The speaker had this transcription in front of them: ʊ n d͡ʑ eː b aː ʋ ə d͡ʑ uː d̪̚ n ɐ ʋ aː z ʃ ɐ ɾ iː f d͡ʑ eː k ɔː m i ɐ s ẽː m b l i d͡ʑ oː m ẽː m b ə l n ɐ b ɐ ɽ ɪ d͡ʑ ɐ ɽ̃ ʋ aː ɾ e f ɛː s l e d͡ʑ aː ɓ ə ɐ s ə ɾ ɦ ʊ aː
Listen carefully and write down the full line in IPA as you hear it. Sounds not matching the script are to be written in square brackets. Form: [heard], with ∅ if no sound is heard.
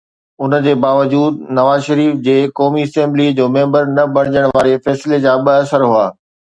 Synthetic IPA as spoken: ʊ n d͡ʑ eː b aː ʋ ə d͡ʑ uː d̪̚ n ɐ ʋ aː z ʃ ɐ ɾ iː f d͡ʑ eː k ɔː m i ɐ s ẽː m b l i d͡ʑ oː m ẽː m b ə [ɾ] n ɐ b ɐ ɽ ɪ d͡ʑ [ə] ɽ̃ ʋ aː ɾ e f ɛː s l e d͡ʑ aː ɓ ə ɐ s ə ɾ ɦ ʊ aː